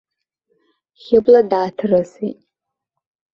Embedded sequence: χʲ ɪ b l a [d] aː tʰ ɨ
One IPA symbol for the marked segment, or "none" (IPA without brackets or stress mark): d